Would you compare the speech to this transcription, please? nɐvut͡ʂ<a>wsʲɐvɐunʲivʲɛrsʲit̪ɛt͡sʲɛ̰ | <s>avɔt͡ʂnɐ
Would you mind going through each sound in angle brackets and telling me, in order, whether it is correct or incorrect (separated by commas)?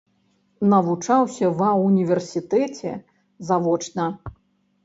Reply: correct, incorrect